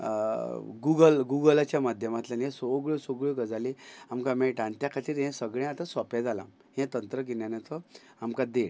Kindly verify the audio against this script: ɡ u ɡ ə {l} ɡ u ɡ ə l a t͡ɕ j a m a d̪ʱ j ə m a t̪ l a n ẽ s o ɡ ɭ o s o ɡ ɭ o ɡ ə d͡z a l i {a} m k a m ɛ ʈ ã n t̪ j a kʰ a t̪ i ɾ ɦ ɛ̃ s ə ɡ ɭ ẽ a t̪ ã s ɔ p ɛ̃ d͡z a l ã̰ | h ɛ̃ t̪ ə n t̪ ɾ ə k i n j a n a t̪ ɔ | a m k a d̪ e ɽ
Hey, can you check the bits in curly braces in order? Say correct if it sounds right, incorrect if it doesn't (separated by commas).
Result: correct, correct